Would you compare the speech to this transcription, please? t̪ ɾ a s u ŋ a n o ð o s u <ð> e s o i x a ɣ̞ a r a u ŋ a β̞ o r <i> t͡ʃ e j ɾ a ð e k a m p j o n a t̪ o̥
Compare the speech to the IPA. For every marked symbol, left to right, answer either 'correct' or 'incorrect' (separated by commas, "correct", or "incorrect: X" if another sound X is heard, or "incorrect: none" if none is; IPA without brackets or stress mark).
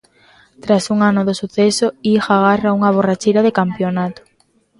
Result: incorrect: θ, incorrect: a